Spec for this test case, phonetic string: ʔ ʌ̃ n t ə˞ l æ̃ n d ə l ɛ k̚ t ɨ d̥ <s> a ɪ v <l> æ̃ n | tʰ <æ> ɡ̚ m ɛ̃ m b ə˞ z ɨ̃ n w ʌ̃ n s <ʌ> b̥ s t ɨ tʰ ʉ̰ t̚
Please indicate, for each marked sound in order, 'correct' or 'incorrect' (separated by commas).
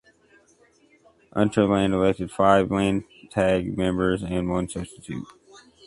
incorrect, correct, correct, correct